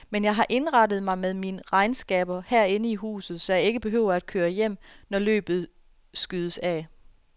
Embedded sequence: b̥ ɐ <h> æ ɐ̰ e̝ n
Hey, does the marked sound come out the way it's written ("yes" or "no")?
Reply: yes